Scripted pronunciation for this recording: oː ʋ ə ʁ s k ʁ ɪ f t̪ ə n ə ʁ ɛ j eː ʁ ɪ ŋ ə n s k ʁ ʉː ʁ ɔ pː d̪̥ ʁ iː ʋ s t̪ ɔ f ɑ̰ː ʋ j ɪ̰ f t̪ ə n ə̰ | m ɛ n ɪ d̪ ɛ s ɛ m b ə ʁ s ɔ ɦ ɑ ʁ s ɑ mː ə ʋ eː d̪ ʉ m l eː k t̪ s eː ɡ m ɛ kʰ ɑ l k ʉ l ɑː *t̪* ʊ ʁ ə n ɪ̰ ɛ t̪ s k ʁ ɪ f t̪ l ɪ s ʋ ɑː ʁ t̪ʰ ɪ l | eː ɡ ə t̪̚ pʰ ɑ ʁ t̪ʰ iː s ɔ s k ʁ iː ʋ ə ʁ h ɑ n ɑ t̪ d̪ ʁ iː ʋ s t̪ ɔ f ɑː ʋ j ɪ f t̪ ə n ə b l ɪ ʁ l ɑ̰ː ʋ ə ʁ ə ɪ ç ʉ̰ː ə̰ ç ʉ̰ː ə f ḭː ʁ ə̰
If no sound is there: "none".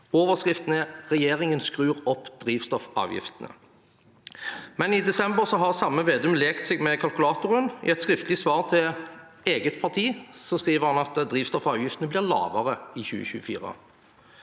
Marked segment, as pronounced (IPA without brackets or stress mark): t̪